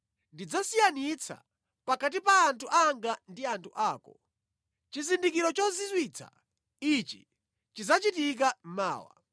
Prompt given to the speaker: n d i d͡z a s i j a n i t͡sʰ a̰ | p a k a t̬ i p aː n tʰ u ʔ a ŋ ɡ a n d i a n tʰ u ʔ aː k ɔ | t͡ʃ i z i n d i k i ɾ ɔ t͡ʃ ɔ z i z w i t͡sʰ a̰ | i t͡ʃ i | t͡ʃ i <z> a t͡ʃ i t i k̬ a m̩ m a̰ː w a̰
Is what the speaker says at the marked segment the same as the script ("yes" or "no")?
yes